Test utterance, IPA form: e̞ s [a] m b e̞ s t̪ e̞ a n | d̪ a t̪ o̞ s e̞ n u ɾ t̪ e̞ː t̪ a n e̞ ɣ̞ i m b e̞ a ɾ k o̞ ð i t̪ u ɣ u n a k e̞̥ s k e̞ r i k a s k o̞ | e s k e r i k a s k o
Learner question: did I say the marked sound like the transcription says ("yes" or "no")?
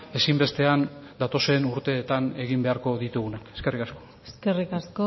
no